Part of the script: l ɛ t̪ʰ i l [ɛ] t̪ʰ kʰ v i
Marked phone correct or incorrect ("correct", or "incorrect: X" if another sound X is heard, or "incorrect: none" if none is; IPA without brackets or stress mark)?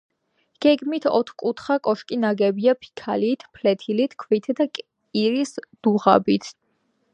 incorrect: i